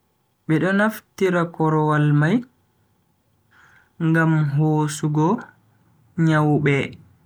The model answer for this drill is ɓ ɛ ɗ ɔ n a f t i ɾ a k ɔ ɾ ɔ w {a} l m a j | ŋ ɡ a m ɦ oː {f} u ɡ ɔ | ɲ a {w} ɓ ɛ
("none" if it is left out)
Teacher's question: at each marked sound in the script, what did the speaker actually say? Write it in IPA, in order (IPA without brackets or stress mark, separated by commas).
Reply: a, s, w